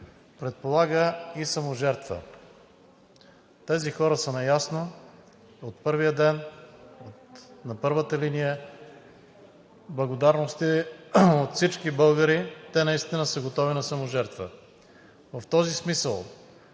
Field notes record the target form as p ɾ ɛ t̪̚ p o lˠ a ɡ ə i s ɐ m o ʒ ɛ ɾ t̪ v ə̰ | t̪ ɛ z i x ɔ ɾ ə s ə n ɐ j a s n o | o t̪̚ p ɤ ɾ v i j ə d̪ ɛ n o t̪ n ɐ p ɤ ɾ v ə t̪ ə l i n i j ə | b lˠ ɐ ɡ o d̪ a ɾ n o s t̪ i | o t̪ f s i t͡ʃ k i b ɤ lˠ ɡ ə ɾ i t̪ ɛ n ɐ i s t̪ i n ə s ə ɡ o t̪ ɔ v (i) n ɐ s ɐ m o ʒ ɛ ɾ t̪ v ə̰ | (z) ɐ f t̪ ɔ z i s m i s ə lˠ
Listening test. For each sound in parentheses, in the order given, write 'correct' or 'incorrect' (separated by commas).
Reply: correct, incorrect